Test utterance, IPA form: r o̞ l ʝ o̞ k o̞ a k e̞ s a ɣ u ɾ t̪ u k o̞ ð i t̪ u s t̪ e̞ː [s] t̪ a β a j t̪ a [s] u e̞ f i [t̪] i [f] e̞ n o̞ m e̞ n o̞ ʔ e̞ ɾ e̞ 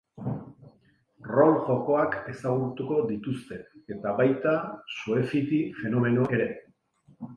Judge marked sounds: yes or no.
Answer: no, yes, yes, yes

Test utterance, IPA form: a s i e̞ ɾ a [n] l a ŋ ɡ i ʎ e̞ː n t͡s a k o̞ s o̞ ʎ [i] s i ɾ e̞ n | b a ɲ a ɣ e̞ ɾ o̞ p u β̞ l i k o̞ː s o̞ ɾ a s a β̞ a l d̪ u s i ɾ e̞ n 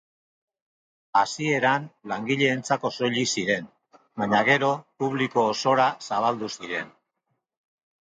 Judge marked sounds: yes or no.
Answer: yes, yes

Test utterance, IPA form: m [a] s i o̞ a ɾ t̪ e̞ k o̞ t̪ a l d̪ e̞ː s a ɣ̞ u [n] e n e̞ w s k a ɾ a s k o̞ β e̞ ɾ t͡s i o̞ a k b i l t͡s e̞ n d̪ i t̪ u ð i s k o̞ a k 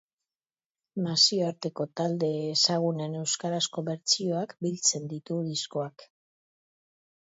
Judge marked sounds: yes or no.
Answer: yes, yes

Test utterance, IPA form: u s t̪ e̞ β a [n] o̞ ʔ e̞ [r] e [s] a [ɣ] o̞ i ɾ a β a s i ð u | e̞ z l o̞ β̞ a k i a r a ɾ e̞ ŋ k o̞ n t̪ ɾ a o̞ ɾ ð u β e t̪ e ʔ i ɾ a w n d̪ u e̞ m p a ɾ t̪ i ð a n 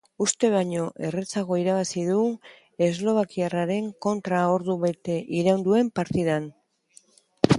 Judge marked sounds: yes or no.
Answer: no, yes, no, yes

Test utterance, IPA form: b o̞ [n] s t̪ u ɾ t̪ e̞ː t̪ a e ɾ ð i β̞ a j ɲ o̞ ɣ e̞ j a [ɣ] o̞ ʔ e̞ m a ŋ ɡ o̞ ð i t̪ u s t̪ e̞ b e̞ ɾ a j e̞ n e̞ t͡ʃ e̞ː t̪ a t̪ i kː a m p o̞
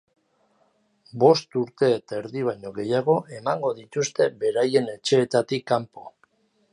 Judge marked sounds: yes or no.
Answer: no, yes

